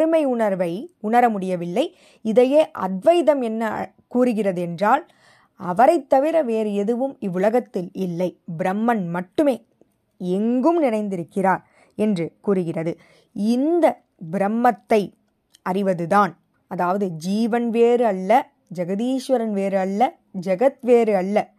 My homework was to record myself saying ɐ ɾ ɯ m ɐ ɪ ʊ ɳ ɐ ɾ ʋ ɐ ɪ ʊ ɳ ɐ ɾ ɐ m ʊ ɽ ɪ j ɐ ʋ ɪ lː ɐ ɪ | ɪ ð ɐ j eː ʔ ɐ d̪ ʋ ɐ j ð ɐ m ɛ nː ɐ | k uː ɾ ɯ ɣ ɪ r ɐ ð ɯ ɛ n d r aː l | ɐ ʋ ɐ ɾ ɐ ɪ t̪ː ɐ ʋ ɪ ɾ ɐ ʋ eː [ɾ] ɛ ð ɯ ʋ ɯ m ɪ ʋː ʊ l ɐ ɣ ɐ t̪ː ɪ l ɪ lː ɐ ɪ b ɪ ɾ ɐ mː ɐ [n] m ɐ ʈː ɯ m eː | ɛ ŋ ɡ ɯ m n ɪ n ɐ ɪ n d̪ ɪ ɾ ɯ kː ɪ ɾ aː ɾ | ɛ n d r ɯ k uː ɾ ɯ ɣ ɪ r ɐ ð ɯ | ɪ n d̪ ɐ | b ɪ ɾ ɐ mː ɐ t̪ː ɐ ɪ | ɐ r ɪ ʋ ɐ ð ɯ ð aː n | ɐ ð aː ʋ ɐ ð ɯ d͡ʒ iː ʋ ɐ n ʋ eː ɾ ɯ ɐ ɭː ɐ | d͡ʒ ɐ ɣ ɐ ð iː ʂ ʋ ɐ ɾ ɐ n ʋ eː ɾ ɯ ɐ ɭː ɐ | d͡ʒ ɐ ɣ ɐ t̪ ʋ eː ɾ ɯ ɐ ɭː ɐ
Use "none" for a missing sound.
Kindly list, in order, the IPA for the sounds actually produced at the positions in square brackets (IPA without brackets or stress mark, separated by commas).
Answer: ɾ, n